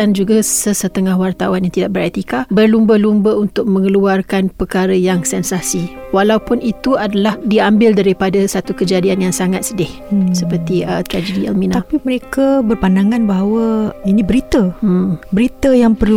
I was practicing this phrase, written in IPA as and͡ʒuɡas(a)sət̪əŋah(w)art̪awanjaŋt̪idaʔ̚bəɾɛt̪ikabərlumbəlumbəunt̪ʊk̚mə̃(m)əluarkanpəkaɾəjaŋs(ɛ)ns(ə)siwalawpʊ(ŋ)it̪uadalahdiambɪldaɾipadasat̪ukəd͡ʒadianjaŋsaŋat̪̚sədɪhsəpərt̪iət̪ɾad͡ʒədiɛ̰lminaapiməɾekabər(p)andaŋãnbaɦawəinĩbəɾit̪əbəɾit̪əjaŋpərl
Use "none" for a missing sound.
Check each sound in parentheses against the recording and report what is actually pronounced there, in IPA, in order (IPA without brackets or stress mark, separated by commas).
ə, w, ŋ, ɛ, a, n, p